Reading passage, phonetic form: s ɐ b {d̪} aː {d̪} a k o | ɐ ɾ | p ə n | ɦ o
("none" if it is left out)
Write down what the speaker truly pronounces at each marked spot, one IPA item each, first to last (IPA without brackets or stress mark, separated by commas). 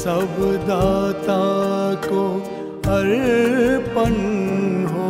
d̪, t̪